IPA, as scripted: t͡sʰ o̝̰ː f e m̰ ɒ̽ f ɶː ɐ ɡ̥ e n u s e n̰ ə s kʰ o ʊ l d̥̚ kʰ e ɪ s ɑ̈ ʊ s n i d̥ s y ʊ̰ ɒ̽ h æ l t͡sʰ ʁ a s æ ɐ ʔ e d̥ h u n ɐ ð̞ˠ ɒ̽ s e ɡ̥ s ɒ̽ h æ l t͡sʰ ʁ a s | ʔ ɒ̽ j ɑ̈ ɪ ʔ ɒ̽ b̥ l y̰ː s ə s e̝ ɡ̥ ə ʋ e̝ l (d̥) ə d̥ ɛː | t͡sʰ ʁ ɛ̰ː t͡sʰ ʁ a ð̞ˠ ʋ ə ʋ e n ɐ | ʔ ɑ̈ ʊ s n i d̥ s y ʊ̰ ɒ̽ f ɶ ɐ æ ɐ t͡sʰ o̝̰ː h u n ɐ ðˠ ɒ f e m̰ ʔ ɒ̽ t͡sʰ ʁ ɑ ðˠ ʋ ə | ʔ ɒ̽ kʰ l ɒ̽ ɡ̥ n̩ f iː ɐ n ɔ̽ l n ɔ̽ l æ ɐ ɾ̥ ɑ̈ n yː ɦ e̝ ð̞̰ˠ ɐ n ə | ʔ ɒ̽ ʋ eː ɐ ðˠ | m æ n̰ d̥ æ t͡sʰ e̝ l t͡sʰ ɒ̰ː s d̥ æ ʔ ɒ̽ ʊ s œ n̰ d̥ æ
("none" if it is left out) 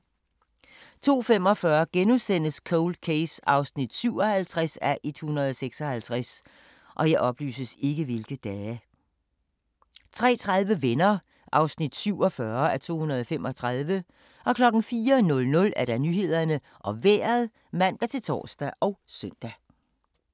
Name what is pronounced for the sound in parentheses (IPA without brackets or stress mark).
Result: ɡ̥